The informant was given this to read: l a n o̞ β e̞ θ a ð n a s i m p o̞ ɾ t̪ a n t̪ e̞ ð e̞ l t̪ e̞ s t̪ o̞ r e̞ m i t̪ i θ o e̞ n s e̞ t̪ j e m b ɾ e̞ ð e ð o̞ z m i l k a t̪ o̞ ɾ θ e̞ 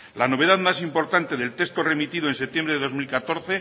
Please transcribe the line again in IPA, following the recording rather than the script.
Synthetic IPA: l a n o̞ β e̞ ð a ð m a s i m p o̞ ɾ t̪ a n t̪ e̞ ð e̞ l t̪ e̞ s t̪ o̞ r e̞ m i t̪ i ð o e̞ n s e̞ t̪ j e m b ɾ e̞ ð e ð o̞ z m i l k a t̪ o̞ ɾ θ e̞